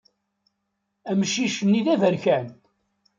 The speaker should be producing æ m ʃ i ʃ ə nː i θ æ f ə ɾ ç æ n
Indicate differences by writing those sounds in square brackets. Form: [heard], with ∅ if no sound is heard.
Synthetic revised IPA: æ m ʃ i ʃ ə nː i [ð] æ [v] ə ɾ ç æ n